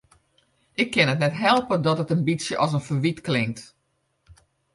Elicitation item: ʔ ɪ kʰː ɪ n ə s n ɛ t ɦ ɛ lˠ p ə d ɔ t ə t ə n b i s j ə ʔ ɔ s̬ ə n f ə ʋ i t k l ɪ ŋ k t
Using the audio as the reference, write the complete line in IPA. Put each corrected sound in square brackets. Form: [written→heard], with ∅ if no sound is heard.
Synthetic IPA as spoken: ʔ ɪ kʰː ɪ n ə [s→t] n ɛ t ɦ ɛ lˠ p ə d ɔ t ə t ə n b i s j ə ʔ ɔ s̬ ə n f ə ʋ i t k l ɪ ŋ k t

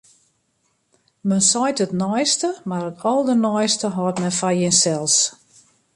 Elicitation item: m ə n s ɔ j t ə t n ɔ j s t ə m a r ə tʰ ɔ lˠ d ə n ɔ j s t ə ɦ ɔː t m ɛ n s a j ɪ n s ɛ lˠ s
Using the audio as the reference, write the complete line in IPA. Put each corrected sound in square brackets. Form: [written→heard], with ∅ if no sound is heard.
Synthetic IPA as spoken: m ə n s ɔ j t ə t n ɔ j s t ə m a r ə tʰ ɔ lˠ d ə n ɔ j s t ə ɦ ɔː t m ɛ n [s→f] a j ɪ n s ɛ lˠ s

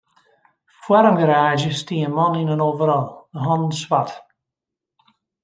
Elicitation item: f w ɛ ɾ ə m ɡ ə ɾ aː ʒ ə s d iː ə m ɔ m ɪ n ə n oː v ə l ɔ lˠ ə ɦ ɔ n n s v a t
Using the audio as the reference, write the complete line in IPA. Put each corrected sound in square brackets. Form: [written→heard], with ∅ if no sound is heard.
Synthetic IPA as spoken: f w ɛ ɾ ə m ɡ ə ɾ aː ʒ ə s [d→t] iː ə m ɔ [m→n] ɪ n ə n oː v ə [l→ɾ] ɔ lˠ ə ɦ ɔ n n s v a t

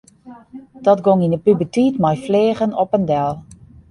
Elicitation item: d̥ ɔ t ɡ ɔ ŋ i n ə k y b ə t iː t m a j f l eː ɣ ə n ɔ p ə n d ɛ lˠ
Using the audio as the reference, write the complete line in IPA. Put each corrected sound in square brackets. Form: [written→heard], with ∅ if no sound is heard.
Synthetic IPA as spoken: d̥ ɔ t ɡ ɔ ŋ i n ə [k→p] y b ə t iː t m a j f l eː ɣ ə n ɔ p ə n d ɛ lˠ

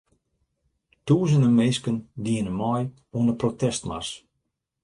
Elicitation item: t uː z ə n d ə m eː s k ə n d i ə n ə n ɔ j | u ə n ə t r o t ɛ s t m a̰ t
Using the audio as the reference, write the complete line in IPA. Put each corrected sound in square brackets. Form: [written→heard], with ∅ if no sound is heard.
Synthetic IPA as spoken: t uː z ə n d ə m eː s k ə n d i ə n ə [n→m] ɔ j | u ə n ə [t→p] r o t ɛ s t m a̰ [t→s]

